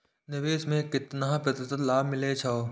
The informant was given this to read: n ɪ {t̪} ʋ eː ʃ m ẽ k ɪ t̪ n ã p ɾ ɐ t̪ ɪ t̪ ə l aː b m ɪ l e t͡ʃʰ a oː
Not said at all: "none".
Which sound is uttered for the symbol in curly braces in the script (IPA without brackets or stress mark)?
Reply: none